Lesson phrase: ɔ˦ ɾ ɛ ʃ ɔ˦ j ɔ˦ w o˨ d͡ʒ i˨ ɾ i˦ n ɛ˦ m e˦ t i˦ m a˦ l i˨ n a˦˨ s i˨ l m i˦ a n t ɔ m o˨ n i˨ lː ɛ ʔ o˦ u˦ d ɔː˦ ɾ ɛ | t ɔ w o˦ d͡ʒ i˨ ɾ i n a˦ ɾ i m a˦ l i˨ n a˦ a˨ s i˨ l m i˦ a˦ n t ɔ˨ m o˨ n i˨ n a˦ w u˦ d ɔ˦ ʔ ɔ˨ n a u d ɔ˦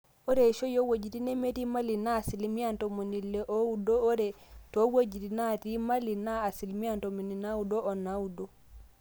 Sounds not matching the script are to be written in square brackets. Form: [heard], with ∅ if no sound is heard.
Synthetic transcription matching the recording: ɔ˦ ɾ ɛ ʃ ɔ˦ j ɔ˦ w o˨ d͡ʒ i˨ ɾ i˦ n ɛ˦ m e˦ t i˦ m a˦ l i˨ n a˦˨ s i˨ l m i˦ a n t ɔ m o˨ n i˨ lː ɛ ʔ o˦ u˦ d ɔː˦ ɾ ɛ | t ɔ w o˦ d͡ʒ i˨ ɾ i n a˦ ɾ i m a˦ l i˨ n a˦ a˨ s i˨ l m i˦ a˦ n t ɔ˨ m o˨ n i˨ n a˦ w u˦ d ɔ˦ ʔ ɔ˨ n a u d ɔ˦

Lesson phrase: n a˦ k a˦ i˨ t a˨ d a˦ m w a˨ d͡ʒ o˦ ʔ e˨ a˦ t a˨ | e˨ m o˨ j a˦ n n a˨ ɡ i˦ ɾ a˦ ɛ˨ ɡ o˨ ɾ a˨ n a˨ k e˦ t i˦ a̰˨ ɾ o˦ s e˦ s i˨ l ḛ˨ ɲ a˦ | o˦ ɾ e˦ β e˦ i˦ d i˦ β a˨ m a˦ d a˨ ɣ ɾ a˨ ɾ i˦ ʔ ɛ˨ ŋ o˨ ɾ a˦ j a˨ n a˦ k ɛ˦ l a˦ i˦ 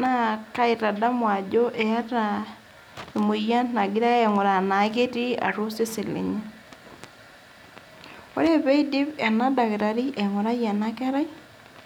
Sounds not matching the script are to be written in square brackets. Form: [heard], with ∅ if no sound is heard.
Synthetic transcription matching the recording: n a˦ k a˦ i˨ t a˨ d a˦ m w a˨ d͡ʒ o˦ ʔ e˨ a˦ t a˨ | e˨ m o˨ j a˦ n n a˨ ɡ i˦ ɾ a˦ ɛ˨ [ŋ] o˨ ɾ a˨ n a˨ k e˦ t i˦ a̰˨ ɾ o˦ s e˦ s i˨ l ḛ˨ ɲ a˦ | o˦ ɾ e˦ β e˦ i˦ d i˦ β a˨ [n] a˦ d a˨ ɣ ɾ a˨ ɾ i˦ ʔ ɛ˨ ŋ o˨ ɾ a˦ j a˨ n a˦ k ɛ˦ [ɾ] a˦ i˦

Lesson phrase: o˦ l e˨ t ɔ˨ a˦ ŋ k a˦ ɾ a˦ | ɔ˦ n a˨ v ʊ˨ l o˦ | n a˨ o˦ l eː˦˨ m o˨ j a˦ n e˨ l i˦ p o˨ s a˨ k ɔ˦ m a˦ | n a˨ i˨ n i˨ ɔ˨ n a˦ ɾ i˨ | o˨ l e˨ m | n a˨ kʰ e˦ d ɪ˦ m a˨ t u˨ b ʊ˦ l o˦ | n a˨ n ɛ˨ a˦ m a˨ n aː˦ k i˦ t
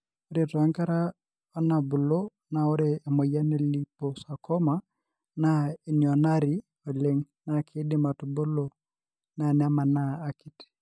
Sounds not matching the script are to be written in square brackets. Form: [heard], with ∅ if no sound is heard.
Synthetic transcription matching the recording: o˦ [ɾ] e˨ t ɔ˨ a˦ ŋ k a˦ ɾ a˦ | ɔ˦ n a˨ [b] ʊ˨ l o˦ | n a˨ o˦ [ɾ] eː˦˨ m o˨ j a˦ n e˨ l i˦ p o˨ s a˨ k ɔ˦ m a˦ | n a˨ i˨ n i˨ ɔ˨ n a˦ ɾ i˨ | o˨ l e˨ [ŋ] | n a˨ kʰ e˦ d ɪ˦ m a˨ t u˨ b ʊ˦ l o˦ | n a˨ n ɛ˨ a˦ m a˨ n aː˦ k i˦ t

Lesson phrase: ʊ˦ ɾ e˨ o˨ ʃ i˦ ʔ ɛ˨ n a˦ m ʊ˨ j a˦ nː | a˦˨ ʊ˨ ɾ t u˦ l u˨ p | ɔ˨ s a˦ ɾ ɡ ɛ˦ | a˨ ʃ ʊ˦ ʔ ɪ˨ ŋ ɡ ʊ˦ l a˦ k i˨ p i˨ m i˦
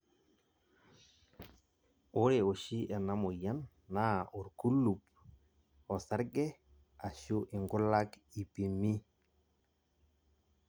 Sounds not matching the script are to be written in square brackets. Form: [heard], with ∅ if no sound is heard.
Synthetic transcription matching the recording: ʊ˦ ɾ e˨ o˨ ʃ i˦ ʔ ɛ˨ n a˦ m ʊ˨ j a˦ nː | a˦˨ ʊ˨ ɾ [k] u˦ l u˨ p | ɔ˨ s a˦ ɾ ɡ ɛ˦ | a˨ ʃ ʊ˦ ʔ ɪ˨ ŋ ɡ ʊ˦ l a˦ k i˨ p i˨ m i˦

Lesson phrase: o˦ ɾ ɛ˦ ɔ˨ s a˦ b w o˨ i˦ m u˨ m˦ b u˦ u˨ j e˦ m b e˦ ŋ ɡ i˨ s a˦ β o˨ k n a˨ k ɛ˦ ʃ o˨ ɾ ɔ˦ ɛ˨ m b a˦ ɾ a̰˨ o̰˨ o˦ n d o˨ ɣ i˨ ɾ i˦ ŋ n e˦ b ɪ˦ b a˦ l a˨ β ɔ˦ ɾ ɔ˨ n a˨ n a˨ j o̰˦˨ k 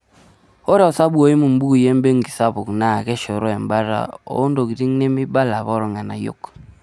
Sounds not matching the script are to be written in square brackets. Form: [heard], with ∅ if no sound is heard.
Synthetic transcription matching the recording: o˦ ɾ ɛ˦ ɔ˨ s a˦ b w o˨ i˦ m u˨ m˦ b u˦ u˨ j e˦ m b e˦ ŋ ɡ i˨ s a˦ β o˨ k n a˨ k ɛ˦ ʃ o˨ ɾ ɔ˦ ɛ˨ m b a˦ ɾ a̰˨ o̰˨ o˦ n d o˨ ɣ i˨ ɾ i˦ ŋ n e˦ [m] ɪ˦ b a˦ l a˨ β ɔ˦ ɾ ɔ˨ [ŋ] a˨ n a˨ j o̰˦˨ k

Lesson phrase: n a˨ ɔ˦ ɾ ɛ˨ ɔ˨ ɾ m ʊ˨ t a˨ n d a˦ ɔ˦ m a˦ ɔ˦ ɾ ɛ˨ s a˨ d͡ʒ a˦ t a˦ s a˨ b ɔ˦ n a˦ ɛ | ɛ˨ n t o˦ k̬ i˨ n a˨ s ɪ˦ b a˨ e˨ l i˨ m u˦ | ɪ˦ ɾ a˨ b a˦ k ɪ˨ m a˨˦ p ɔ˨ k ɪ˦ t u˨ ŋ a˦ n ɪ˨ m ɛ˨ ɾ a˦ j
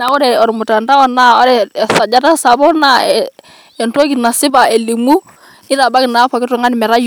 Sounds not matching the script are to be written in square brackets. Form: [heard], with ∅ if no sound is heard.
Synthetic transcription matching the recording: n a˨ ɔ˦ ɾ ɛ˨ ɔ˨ ɾ m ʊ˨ t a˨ n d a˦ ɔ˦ [n] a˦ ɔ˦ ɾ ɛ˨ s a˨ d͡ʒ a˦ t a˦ s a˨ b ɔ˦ n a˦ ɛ | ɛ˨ n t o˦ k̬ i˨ n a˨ s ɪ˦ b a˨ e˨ l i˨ m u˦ | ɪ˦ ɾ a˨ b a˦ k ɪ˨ [n] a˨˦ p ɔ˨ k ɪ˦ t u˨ ŋ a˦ n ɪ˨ m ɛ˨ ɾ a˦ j

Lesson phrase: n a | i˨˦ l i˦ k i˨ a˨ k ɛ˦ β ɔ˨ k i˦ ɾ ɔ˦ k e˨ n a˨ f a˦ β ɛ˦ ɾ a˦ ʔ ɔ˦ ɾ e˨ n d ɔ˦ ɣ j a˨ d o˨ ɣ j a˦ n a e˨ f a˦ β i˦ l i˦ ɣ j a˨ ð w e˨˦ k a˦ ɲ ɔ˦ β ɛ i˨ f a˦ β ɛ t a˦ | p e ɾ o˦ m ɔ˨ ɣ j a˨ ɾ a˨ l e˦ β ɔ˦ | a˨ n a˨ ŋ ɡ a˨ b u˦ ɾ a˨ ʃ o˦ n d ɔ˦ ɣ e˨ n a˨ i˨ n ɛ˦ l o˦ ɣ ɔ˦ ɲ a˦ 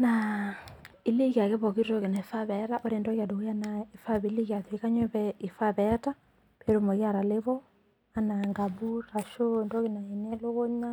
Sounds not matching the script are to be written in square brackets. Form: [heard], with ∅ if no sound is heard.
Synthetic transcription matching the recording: n a | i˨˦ l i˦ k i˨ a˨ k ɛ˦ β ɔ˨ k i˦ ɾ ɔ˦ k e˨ n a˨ f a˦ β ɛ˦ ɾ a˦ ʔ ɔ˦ ɾ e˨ n d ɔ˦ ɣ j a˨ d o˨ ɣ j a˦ n a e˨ f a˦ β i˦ l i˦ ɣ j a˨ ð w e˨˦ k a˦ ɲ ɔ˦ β ɛ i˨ f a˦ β ɛ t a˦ | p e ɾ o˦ m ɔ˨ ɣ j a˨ ɾ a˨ l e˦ β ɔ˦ | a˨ n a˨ ŋ ɡ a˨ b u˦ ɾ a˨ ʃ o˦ n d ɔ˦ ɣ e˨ n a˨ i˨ n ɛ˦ l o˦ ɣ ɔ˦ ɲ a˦

